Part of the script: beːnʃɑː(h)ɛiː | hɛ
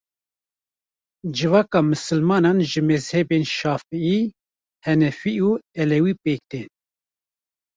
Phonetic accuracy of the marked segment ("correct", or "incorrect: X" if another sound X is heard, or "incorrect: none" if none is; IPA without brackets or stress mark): incorrect: f